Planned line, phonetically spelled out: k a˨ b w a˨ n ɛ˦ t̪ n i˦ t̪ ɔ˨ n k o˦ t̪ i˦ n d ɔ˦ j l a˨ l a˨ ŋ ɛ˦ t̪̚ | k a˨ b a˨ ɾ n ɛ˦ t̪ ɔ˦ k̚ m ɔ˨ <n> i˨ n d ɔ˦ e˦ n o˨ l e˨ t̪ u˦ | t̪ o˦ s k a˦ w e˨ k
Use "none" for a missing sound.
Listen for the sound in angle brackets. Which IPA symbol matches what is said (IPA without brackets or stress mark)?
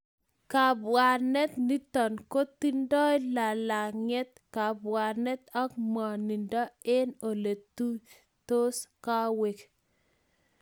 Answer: n